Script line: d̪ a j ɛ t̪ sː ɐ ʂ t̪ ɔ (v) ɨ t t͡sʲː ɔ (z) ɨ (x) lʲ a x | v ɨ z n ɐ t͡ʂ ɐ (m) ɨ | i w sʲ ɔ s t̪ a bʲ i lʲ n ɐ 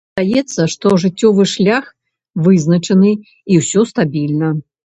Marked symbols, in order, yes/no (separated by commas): no, no, no, no